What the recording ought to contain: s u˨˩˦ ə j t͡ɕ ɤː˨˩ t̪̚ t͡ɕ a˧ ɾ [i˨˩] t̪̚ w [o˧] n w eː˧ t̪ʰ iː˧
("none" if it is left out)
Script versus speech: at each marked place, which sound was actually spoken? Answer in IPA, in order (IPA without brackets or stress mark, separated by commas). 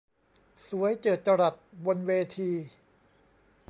a˨˩, o˧